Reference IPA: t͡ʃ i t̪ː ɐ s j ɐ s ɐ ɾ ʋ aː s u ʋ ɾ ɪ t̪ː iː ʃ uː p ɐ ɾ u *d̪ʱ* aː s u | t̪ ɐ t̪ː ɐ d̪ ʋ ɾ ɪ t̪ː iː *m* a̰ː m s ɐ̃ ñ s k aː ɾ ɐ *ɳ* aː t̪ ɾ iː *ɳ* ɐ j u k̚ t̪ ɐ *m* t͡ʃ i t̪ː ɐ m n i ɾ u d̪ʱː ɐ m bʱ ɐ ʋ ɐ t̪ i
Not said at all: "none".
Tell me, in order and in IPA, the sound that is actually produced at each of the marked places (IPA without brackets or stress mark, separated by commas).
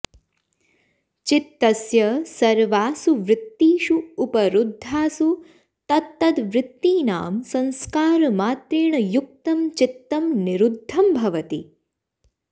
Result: d̪ʱː, n, m, ɳ, m